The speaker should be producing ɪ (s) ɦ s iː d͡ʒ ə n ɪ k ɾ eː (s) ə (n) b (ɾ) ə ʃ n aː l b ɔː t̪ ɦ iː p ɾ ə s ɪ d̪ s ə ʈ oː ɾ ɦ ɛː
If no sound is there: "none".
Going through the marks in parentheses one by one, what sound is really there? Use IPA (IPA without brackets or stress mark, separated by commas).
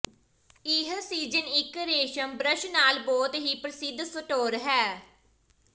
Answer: none, ʃ, m, ɾ